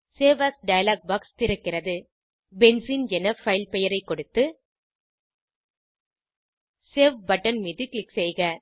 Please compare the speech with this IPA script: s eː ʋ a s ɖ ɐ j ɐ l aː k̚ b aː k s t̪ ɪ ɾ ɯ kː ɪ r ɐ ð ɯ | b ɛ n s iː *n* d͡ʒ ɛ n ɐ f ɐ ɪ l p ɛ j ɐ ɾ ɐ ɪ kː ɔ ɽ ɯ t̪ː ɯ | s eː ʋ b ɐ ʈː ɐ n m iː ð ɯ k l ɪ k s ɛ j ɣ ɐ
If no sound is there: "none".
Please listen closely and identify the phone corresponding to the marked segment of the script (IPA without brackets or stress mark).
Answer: n